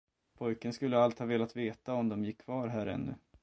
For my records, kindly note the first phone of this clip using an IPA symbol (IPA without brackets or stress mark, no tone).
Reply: pʰ